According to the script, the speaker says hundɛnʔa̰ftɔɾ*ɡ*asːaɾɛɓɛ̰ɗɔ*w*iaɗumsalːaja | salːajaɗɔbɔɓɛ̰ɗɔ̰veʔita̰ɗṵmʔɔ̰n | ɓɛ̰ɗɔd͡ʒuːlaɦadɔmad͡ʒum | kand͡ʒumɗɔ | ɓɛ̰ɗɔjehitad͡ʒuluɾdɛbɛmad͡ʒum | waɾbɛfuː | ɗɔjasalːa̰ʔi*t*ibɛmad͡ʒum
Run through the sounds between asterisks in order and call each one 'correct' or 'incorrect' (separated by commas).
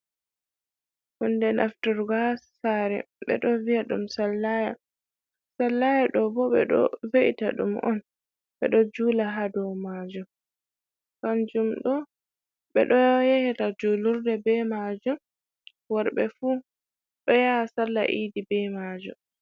correct, incorrect, incorrect